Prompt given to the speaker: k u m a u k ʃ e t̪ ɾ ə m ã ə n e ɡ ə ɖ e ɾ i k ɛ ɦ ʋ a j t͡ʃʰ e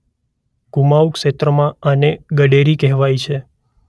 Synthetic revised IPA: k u m a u k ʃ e t̪ ɾ ə m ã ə n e ɡ ə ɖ e ɾ i k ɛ ɦ ʋ a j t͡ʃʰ e